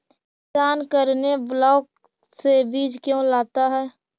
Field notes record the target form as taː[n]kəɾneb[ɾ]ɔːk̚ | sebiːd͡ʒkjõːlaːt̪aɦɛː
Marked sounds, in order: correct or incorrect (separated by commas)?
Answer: correct, incorrect